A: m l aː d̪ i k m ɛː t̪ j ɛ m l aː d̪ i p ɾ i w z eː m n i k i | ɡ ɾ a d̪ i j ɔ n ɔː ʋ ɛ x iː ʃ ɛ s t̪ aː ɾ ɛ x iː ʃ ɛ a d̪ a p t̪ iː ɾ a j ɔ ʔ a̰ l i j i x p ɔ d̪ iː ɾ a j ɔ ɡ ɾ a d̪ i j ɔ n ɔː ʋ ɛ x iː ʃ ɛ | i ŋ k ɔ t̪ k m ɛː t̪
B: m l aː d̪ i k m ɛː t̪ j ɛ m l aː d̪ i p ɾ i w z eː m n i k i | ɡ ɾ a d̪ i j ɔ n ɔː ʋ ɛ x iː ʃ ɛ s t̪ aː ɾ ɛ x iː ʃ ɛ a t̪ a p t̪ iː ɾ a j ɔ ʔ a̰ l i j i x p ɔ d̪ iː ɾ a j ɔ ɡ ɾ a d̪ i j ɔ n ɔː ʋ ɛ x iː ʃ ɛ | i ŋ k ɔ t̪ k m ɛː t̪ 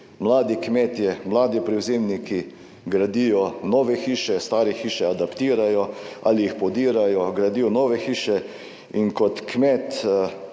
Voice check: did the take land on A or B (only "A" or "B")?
A